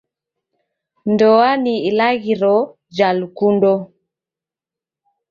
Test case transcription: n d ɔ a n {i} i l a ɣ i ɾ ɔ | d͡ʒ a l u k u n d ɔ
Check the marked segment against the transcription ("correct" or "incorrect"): correct